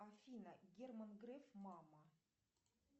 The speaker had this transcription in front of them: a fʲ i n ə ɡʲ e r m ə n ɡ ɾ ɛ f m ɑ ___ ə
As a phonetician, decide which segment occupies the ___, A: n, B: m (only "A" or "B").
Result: B